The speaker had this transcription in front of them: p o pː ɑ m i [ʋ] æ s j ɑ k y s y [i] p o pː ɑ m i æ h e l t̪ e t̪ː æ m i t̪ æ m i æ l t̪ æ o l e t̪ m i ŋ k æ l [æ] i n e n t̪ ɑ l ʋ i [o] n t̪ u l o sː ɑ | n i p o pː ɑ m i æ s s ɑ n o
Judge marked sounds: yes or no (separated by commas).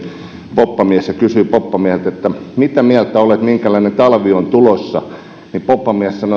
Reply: no, yes, yes, yes